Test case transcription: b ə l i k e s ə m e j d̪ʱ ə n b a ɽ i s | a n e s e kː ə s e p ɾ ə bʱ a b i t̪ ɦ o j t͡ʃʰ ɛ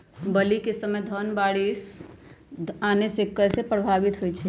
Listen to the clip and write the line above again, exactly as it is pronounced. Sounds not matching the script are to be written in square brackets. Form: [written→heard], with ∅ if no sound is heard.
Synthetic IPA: b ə l i k e s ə m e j d̪ʱ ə n b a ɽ i s | a n e s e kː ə s e p ɾ ə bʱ a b i t̪ ɦ o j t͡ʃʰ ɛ